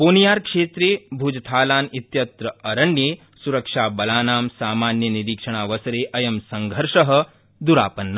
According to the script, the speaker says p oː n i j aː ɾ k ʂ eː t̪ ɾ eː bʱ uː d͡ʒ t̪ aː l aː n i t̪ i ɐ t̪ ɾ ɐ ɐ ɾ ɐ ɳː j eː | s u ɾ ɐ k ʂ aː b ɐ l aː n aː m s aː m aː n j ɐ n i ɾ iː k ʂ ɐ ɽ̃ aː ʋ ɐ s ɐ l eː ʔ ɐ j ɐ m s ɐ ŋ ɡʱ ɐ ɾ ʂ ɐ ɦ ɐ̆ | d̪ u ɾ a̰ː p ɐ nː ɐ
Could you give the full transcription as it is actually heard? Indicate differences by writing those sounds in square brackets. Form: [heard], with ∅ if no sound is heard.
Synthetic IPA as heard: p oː n i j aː ɾ k ʂ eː t̪ ɾ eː bʱ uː d͡ʒ [t̪ʰ] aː l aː n i t̪ [j] ɐ t̪ ɾ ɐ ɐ ɾ ɐ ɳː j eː | s u ɾ ɐ k ʂ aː b ɐ l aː n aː m s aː m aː n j ɐ n i ɾ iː k ʂ ɐ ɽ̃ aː ʋ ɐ s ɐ [ɾ] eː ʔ ɐ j ɐ m s ɐ ŋ ɡʱ ɐ ɾ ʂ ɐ ɦ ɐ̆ | d̪ u ɾ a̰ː p ɐ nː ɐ